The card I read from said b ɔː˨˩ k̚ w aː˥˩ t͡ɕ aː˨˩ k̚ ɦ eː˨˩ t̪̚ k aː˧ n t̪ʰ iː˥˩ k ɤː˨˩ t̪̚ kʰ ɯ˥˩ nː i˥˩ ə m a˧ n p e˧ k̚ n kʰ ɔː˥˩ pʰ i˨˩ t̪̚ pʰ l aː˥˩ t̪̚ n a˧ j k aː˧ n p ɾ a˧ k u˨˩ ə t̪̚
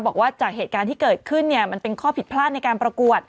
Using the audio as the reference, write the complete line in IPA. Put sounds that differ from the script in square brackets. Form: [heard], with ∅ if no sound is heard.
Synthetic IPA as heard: b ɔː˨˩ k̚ w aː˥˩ t͡ɕ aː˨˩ k̚ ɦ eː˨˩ t̪̚ k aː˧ n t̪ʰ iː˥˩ k ɤː˨˩ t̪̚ kʰ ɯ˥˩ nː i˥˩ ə m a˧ n p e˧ [∅] n kʰ ɔː˥˩ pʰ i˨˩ t̪̚ pʰ l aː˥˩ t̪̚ n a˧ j k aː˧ n p ɾ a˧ k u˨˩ ə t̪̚